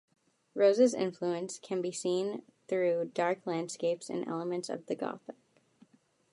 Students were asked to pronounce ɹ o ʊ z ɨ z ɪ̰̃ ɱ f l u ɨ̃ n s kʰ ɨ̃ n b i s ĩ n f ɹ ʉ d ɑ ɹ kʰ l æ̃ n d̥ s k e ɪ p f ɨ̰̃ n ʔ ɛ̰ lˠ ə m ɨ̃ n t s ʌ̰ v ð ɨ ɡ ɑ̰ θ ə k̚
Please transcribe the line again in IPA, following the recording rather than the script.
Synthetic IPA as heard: ɹ o ʊ z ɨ z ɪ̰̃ ɱ f l u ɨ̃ n s kʰ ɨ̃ n b i s ĩ n θ ɹ ʉ d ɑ ɹ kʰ l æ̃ n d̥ s k e ɪ p s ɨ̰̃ n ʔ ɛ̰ lˠ ə m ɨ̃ n t s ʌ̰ v ð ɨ ɡ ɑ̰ θ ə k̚